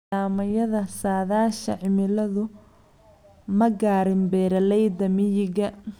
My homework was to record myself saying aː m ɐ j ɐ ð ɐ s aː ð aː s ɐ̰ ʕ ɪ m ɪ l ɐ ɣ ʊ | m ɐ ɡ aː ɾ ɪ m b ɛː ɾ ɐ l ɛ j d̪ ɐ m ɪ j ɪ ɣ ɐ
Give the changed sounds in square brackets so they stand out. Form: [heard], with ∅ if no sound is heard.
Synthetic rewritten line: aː m ɐ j ɐ ð ɐ s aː ð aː [ʃ] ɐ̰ ʕ ɪ m ɪ l ɐ [ð] ʊ | m ɐ ɡ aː ɾ ɪ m b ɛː ɾ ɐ l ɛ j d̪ ɐ m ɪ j ɪ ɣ ɐ